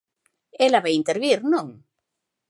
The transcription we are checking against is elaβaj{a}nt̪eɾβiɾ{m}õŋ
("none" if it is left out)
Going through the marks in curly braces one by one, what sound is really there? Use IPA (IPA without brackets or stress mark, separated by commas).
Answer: i, n